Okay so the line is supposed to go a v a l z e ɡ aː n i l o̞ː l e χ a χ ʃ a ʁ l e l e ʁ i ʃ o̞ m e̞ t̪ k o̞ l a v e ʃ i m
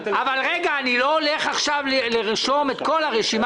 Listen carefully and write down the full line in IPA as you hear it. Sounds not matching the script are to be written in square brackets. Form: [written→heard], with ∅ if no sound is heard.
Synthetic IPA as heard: a v a l [z→ʁ] e ɡ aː n i l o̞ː l e χ a χ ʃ a [ʁ→v] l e l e ʁ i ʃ o̞ m e̞ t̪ k o̞ l a [v→ʁ] e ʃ i m